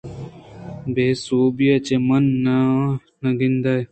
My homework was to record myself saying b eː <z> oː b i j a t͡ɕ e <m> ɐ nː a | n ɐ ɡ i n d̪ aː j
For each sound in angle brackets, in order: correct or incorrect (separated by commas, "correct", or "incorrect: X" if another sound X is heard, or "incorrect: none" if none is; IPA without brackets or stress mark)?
incorrect: s, correct